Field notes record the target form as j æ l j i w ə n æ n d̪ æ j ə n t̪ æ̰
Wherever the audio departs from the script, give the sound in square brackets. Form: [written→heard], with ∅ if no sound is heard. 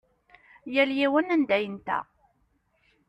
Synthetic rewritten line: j æ l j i w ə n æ n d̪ æ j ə n t̪ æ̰